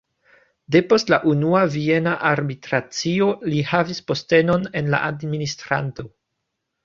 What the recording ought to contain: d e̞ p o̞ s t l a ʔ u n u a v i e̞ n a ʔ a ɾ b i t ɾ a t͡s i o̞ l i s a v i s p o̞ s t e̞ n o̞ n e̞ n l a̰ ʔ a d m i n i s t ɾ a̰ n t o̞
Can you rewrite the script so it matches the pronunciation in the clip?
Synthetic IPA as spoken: d e̞ p o̞ s t l a ʔ u n u a v i e̞ n a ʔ a ɾ b i t ɾ a t͡s i o̞ l i h a v i s p o̞ s t e̞ n o̞ n e̞ n l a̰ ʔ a d m i n i s t ɾ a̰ n t o̞